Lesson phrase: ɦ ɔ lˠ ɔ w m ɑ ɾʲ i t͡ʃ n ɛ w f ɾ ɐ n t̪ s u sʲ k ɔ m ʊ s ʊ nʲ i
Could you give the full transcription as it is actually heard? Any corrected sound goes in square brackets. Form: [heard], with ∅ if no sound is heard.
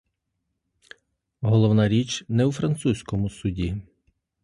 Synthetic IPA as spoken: ɦ ɔ lˠ ɔ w [n] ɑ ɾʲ i t͡ʃ n ɛ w f ɾ ɐ n t̪ s u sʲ k ɔ m ʊ s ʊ [dʲ] i